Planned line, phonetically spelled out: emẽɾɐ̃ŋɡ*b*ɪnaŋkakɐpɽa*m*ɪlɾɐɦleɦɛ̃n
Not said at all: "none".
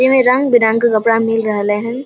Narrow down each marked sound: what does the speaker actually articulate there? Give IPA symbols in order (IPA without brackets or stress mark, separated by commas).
b, m